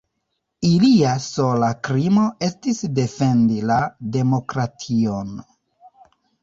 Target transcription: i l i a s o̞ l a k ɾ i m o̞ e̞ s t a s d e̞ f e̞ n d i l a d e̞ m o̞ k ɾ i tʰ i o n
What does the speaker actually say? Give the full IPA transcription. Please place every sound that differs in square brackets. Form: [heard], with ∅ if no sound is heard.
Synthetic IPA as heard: i l i a s o̞ l a k ɾ i m o̞ e̞ s t [i] s d e̞ f e̞ n d i l a d e̞ m o̞ k ɾ [a] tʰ i o n